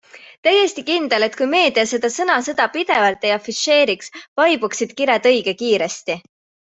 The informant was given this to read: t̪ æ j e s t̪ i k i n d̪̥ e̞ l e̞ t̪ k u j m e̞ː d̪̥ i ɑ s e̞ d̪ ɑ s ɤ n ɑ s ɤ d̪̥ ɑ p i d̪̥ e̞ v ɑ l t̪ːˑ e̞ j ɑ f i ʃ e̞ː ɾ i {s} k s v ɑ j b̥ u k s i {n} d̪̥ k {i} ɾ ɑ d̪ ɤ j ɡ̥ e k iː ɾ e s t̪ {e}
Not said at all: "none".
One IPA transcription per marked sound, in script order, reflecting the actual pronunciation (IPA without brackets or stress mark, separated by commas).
none, none, i, i